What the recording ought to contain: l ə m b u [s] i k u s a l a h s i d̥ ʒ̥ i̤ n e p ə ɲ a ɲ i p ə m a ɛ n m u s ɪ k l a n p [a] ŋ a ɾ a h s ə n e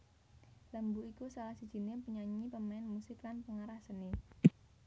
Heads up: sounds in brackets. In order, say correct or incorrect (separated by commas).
incorrect, incorrect